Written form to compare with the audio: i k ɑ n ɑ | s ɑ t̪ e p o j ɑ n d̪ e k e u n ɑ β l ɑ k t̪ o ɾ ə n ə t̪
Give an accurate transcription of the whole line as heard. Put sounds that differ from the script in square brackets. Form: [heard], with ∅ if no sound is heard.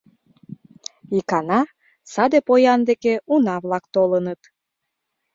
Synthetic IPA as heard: i k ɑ n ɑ | s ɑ [d̪] e p o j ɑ n d̪ e k e u n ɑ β l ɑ k t̪ o [l] ə n ə t̪